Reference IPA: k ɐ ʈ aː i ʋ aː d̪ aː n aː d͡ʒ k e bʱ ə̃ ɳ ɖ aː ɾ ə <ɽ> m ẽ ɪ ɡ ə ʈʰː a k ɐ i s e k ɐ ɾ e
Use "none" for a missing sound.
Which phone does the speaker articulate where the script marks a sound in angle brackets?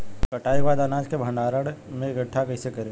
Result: ɽ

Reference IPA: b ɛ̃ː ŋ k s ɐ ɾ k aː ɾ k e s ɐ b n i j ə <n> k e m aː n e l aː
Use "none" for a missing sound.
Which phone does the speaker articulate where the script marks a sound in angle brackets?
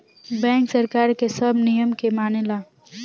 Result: m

